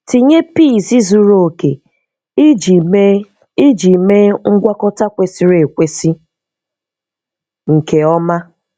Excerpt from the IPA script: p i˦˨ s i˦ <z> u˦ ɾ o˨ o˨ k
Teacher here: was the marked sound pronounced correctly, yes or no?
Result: yes